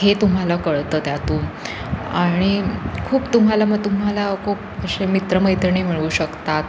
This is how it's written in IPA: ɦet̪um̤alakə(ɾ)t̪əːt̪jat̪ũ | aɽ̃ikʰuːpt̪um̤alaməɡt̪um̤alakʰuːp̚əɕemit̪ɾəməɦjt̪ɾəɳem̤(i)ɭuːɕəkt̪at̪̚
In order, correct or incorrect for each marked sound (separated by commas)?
incorrect, correct